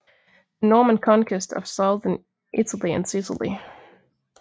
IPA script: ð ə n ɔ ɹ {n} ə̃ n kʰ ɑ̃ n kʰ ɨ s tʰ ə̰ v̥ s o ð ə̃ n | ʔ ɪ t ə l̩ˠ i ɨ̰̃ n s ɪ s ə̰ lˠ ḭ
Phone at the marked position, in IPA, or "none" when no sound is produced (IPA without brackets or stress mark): m